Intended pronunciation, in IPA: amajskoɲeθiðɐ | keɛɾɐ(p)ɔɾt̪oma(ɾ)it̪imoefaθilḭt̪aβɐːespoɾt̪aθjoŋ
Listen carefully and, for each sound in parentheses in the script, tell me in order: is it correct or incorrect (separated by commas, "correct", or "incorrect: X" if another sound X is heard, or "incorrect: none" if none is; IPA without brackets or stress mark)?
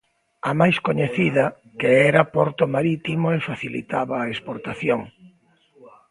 correct, correct